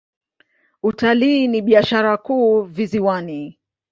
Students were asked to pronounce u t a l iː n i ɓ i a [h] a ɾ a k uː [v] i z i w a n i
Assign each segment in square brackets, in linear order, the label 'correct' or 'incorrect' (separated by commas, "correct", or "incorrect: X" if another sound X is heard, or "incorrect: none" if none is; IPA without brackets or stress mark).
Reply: incorrect: ʃ, correct